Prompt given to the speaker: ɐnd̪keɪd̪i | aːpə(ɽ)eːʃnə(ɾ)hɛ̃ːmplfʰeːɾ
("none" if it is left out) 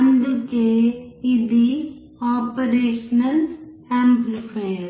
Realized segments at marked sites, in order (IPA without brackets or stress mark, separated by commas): ɾ, l